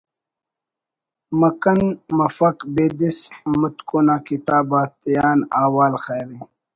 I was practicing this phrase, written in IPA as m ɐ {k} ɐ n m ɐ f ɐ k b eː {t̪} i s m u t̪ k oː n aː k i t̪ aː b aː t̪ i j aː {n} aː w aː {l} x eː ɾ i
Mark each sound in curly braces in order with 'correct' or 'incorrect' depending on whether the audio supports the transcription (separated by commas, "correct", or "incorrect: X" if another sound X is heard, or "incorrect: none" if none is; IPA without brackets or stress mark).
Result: correct, incorrect: d̪, correct, correct